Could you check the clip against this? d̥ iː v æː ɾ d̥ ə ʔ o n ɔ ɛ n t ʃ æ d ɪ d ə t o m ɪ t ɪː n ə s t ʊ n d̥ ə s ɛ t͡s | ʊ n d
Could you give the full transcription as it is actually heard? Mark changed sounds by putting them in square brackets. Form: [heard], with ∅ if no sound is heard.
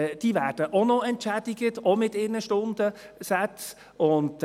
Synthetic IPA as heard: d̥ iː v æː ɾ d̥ ə ʔ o n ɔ ɛ n t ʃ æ d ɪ [ɡ] ə t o m ɪ t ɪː n ə [ʃ] t ʊ n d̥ ə s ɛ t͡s | ʊ n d